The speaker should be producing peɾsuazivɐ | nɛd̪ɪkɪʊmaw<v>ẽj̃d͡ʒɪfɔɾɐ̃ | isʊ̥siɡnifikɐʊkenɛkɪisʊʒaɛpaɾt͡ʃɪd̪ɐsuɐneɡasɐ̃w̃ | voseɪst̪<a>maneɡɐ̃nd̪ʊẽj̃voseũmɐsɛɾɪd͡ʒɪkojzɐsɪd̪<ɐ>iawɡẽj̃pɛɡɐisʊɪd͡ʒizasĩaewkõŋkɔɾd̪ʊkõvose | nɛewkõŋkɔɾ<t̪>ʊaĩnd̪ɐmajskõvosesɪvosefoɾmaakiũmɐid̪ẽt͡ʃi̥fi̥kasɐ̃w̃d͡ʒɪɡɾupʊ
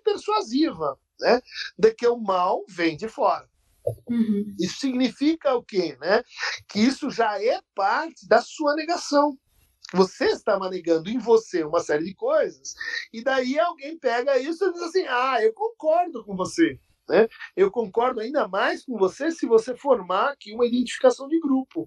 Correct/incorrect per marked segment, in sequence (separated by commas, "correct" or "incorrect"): correct, correct, incorrect, incorrect